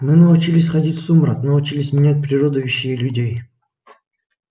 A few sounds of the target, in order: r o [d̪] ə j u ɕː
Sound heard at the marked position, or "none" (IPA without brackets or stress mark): d̪